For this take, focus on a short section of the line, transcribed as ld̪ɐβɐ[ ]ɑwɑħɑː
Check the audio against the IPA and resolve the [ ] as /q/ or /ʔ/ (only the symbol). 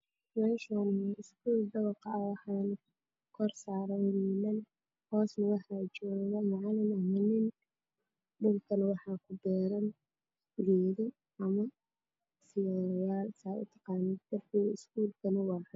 q